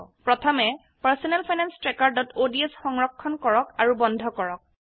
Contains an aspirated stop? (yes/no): yes